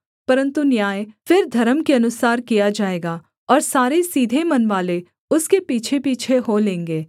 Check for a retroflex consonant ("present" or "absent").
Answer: absent